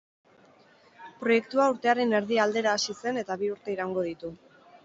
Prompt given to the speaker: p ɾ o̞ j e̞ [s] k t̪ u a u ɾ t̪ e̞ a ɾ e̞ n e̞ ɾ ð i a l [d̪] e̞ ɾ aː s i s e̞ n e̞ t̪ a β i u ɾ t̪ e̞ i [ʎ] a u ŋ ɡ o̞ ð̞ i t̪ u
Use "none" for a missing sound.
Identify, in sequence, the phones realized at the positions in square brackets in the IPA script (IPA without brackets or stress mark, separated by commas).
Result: none, d̪, ɾ